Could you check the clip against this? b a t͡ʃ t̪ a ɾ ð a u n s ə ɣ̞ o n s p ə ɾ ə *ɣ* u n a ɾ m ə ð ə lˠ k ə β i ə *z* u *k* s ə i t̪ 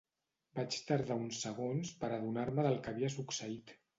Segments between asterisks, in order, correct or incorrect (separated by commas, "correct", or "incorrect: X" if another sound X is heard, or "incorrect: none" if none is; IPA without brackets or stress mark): incorrect: ð, incorrect: s, correct